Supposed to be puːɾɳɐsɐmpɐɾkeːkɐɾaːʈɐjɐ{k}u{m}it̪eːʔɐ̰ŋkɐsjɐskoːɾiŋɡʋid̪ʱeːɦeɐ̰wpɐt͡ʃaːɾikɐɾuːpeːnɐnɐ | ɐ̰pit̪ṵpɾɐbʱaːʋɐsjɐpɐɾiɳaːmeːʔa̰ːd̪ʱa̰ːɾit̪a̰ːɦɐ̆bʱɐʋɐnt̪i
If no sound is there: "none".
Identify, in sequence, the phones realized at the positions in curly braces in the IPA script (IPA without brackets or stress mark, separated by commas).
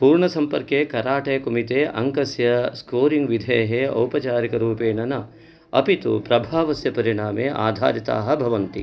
k, m